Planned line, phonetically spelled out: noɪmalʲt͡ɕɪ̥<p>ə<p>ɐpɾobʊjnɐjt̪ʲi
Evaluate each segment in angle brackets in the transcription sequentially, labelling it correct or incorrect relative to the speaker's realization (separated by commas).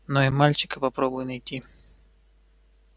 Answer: incorrect, correct